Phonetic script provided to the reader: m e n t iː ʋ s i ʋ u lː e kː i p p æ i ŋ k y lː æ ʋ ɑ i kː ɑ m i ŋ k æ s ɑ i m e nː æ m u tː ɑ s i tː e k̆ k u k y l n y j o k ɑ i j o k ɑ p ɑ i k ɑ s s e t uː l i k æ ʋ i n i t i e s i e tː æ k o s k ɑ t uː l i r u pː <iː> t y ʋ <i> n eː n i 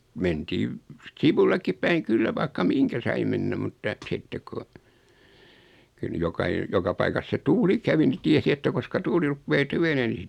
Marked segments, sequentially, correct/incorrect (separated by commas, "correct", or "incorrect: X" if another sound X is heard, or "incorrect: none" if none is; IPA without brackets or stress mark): incorrect: eː, incorrect: e